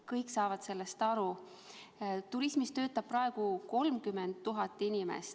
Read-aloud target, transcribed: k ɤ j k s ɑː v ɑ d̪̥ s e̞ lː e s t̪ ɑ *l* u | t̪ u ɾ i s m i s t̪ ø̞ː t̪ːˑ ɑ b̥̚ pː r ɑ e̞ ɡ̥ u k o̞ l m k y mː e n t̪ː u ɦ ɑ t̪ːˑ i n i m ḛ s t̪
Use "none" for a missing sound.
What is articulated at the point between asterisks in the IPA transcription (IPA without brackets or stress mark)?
ɾ